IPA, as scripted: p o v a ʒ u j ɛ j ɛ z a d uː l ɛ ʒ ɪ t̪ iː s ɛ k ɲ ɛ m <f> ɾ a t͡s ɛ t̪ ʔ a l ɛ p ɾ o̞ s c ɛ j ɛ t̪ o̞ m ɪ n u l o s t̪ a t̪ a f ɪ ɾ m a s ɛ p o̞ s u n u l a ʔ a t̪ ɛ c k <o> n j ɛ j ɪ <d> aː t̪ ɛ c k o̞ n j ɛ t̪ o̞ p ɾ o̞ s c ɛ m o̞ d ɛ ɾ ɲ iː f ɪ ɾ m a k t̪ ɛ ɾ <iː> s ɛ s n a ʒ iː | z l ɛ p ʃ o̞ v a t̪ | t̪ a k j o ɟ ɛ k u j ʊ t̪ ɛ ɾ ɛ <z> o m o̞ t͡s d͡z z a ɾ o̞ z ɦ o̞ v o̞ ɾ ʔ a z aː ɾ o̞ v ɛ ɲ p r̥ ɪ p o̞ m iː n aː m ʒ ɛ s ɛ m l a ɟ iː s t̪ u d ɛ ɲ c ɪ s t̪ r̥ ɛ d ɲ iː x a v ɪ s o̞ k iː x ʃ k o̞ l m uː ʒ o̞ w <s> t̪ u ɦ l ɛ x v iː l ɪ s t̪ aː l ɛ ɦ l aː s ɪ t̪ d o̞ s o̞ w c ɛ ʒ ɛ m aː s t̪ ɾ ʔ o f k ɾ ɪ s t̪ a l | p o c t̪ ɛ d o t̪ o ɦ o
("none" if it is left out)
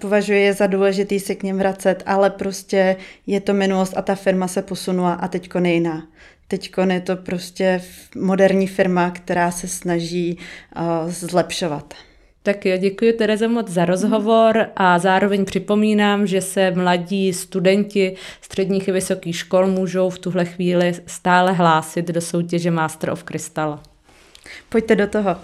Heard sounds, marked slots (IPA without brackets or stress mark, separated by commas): v, o, n, aː, z, f